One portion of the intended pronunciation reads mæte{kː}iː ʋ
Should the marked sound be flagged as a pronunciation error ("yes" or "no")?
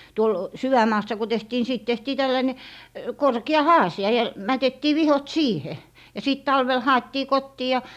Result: yes